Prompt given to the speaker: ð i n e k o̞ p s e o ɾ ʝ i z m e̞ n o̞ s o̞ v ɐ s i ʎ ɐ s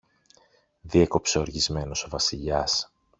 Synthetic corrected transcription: ð i e k o̞ p s e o ɾ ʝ i z m e̞ n o̞ s o̞ v ɐ s i ʎ ɐ s